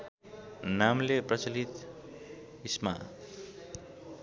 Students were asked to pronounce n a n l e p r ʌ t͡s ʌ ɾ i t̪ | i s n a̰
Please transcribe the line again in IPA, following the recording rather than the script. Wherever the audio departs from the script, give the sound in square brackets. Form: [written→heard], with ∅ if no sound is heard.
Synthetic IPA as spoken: n a [n→m] l e p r ʌ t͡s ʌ [ɾ→l] i t̪ | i s [n→m] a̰